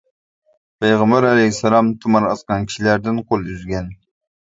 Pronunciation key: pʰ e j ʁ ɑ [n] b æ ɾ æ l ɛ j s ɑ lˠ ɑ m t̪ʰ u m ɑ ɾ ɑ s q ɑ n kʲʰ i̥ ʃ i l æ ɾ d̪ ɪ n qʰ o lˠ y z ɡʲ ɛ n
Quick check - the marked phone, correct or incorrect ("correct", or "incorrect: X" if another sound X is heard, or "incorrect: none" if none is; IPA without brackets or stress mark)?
incorrect: m